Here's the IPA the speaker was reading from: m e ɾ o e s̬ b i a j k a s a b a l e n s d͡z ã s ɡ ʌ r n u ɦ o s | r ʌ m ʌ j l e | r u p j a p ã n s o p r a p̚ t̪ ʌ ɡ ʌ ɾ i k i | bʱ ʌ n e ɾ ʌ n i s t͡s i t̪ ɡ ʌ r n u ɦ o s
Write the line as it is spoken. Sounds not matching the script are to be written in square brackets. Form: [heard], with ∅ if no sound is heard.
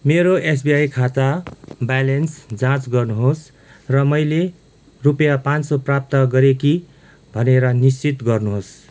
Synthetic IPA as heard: m e ɾ o e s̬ b i a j [kʰ] a [t͡s] a b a l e n s d͡z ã [t͡s] ɡ ʌ r n u ɦ o s | r ʌ m ʌ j l e | r u p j a p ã n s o p r a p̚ t̪ ʌ ɡ ʌ ɾ [e] k i | bʱ ʌ n e ɾ ʌ n i s t͡s i t̪ ɡ ʌ r n u ɦ o s